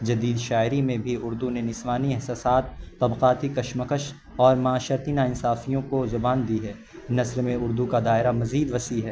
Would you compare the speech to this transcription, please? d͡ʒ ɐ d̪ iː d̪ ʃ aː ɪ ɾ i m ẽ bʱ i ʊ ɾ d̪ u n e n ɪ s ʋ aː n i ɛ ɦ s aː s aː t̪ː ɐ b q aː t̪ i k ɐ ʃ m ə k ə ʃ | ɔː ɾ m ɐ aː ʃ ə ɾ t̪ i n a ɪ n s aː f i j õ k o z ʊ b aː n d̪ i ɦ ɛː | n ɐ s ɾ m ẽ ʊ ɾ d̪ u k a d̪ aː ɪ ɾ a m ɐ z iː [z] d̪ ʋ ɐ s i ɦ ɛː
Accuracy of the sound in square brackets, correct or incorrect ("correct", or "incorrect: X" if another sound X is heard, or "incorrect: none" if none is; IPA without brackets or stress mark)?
incorrect: none